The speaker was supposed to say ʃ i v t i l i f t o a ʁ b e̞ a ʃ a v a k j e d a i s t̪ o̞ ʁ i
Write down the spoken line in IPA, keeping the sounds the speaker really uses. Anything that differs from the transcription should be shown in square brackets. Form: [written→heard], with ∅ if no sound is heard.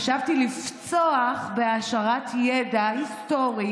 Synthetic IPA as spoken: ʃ [i→a] v t i l i f [t→t͡s] o a [ʁ→χ] b e̞ a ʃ a [v→ʁ] a [k→t] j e d a i s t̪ o̞ ʁ i